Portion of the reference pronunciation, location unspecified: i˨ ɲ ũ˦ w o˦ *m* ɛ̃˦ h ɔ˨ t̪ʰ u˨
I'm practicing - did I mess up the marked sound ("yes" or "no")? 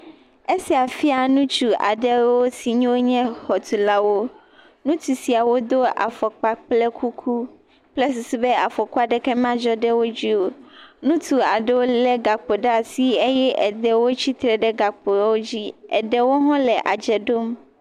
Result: yes